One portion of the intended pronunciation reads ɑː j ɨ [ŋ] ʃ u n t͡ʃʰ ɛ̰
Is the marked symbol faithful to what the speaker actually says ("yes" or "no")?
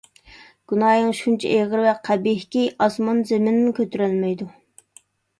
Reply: yes